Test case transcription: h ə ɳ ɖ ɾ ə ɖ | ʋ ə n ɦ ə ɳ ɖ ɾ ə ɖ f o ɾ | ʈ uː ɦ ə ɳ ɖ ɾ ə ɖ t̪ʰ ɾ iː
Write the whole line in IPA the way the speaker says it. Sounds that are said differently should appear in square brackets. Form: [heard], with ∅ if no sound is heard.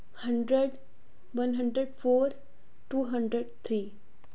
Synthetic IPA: h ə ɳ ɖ ɾ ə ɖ | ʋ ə n ɦ ə ɳ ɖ ɾ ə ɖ f o ɾ | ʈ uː ɦ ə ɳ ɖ ɾ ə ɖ t̪ʰ ɾ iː